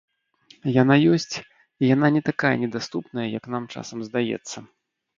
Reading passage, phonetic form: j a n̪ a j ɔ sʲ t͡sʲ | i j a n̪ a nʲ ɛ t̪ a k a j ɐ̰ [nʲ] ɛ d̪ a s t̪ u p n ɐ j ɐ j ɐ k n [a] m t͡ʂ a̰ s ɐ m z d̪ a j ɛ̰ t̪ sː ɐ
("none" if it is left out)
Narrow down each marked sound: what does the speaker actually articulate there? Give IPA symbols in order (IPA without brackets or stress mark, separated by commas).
nʲ, a